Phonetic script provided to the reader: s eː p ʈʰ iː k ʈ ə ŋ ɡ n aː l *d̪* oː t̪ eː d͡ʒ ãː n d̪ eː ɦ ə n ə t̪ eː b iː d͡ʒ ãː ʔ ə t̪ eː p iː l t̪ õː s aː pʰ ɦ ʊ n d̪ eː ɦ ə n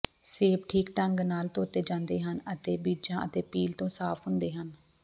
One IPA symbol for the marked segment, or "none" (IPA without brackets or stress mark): t̪